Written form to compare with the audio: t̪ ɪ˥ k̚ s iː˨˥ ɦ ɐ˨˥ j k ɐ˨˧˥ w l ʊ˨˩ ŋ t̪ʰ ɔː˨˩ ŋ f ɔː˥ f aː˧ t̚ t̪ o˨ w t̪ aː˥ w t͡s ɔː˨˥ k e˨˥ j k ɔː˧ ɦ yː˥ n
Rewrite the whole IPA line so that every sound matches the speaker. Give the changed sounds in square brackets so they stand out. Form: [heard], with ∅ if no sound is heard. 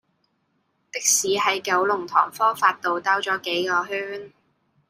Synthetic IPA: t̪ ɪ˥ k̚ s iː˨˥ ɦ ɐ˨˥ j k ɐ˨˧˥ w l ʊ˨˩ ŋ t̪ʰ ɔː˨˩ ŋ f ɔː˥ f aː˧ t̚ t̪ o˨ w t̪ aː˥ w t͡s ɔː˨˥ k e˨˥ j k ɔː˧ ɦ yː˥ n